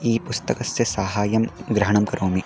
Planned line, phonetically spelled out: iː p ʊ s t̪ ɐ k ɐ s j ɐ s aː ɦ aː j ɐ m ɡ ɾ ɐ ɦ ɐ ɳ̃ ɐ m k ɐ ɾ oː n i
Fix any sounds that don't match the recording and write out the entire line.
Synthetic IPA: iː p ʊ s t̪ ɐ k ɐ s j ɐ s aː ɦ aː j ɐ m ɡ ɾ ɐ ɦ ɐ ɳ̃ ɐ m k ɐ ɾ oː m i